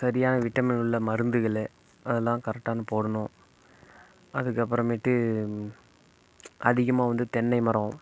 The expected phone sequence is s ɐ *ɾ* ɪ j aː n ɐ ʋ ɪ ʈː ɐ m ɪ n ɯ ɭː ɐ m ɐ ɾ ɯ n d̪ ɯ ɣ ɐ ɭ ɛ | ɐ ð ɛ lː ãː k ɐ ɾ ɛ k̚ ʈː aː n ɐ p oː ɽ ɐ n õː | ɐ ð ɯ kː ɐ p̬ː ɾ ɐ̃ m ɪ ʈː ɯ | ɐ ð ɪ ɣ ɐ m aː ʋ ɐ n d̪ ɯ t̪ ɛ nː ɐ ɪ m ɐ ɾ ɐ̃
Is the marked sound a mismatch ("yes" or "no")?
no